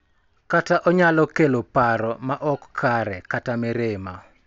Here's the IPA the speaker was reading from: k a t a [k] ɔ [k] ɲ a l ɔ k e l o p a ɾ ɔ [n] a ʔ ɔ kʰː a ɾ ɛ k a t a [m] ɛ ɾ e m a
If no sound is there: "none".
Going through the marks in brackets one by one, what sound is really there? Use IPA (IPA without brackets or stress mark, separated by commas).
ʔ, none, m, m